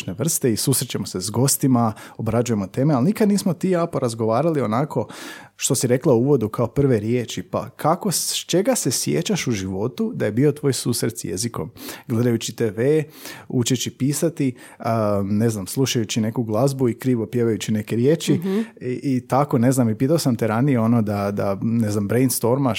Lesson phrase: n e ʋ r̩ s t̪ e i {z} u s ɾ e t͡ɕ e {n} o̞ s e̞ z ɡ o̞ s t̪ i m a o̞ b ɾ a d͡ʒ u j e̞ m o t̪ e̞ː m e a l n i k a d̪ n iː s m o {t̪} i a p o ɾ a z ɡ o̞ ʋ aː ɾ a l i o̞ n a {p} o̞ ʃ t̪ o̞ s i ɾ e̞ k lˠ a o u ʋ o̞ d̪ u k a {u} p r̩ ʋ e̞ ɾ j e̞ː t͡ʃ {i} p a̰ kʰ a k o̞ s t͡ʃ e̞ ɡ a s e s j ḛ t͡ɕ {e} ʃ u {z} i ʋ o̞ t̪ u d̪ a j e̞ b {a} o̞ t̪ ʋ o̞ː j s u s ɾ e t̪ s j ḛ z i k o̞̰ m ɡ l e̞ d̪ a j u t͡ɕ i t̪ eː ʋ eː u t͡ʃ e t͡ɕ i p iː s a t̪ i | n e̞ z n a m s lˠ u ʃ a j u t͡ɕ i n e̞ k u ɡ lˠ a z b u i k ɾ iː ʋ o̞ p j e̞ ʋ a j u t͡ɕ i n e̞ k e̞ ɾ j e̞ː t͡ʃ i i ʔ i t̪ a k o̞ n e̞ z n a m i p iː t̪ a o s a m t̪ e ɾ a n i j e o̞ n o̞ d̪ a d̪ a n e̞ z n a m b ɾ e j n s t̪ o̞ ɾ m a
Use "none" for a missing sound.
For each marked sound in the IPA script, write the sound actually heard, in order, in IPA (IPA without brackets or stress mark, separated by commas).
s, m, t̪, k, o, i, a, ʒ, i